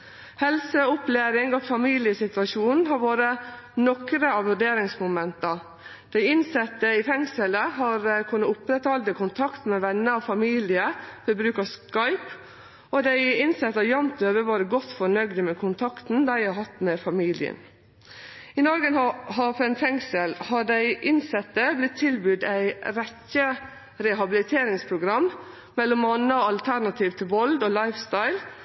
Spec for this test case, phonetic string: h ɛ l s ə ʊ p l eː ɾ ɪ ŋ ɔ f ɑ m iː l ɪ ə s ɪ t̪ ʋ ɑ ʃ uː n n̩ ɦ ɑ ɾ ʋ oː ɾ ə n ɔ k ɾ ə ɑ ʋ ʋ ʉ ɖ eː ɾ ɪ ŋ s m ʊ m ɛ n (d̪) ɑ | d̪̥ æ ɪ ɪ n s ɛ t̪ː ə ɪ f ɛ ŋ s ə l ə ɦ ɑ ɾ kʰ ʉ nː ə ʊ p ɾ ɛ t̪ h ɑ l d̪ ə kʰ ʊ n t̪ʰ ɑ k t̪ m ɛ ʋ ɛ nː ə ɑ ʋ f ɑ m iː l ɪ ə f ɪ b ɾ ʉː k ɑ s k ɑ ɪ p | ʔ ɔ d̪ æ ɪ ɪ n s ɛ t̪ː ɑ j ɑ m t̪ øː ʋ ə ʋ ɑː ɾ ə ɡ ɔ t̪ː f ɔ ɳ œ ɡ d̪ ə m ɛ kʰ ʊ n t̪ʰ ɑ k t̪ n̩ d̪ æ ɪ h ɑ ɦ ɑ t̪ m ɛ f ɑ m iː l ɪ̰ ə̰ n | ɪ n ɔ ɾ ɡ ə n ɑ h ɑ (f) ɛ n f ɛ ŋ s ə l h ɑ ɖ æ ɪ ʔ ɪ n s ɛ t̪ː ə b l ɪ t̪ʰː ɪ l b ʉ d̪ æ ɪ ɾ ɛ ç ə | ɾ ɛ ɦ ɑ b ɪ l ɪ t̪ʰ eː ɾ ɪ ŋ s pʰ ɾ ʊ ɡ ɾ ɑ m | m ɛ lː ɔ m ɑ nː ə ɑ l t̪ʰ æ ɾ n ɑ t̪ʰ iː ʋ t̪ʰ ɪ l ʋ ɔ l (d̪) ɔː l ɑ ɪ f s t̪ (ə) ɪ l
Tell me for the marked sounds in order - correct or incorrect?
incorrect: t̪, correct, correct, incorrect: ɑ

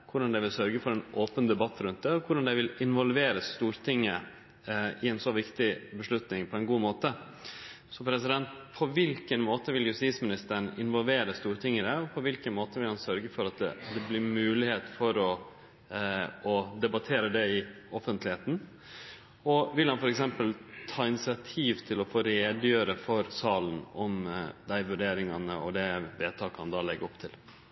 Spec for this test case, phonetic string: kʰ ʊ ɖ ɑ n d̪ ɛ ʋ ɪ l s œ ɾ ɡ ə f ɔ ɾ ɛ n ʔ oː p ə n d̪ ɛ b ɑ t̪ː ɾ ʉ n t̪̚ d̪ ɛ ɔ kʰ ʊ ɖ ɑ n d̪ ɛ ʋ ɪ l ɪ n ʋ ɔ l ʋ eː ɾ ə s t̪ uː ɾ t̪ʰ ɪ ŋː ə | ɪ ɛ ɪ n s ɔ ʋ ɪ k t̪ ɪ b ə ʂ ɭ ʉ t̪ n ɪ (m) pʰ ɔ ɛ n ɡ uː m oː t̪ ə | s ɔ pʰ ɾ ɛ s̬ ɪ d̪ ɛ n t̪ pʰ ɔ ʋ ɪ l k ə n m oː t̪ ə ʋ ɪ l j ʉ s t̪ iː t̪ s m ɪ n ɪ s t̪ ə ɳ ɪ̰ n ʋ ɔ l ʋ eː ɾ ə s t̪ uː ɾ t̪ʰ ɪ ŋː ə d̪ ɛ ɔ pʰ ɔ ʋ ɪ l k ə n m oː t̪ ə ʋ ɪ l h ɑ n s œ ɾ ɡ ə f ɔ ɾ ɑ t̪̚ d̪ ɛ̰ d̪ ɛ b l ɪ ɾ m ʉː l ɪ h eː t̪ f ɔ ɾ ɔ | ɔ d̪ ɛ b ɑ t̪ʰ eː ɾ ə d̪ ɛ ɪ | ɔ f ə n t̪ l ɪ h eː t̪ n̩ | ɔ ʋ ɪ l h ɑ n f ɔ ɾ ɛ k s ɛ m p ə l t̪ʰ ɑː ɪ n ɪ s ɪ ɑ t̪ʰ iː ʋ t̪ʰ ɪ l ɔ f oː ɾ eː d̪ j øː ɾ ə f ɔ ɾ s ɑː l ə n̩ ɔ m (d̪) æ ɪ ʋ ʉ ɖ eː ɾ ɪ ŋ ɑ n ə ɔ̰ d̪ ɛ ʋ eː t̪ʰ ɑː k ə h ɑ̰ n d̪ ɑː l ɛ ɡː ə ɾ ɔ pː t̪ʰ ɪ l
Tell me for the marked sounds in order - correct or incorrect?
incorrect: ŋ, correct

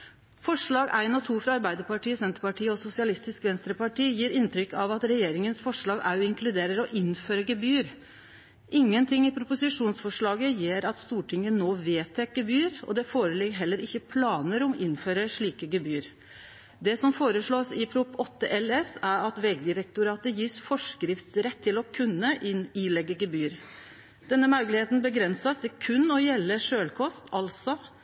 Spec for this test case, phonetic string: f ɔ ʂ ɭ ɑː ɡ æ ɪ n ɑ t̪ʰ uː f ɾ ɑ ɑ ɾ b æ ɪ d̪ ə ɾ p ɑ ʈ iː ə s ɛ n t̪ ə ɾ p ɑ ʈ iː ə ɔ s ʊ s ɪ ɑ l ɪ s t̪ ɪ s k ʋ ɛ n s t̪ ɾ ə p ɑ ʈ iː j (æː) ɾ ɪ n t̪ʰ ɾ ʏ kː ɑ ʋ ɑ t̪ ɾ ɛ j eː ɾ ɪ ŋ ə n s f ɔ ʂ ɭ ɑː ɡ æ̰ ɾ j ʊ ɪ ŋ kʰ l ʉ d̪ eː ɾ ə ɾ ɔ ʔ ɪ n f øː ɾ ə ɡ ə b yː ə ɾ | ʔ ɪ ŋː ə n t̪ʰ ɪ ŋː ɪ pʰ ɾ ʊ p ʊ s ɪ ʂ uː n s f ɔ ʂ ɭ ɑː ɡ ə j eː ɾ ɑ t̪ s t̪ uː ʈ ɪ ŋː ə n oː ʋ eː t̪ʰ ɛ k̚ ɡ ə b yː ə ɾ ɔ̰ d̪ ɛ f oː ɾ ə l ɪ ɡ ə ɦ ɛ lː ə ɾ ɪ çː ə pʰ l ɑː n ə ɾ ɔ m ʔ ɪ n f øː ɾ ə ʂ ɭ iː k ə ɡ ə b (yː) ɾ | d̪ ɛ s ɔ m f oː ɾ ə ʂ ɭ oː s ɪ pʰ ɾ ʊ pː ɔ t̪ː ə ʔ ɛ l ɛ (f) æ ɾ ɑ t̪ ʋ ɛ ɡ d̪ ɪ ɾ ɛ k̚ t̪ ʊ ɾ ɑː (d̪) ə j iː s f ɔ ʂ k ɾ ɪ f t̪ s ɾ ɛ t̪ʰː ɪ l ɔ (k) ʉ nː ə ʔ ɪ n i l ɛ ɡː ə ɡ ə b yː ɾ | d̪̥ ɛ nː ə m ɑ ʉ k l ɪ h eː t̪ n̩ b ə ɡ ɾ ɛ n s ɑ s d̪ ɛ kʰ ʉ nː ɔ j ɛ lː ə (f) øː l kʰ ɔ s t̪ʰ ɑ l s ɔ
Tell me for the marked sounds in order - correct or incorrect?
incorrect: iː, correct, incorrect: s, incorrect: t̪, incorrect: kʰ, incorrect: ʂ

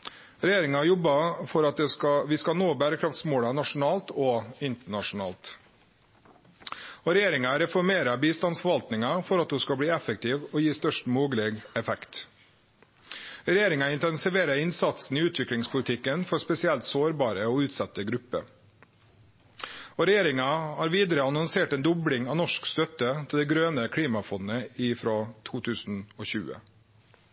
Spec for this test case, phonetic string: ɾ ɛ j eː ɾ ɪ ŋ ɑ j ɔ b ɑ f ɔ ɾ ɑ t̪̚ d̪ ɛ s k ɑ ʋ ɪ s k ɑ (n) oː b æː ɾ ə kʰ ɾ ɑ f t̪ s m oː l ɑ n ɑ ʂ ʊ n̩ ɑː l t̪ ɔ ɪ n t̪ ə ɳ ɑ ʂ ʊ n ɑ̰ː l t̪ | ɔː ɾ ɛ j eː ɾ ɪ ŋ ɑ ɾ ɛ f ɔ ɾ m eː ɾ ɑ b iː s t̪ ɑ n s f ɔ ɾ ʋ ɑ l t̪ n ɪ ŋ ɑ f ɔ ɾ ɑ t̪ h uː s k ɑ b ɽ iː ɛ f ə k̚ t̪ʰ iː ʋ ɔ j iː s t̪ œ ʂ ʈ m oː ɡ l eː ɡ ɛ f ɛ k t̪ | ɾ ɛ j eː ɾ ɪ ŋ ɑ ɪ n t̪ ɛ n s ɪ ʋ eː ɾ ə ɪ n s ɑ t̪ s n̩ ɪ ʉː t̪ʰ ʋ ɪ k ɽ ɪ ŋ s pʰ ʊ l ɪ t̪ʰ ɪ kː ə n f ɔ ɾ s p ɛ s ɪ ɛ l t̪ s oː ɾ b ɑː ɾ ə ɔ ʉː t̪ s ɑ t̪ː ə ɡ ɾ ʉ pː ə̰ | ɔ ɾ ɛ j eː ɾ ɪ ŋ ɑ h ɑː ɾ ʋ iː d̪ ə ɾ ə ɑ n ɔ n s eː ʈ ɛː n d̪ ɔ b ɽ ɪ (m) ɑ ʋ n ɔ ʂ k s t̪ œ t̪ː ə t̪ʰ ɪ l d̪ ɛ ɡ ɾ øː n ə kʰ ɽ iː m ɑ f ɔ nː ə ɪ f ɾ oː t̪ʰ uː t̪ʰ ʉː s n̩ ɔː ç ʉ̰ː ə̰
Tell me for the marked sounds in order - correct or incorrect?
correct, incorrect: ŋ

